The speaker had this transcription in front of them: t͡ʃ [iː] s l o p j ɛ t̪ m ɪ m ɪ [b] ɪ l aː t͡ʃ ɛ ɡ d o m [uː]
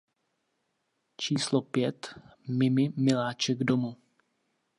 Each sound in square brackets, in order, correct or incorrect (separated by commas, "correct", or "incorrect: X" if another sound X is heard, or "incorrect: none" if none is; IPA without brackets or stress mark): correct, incorrect: m, incorrect: u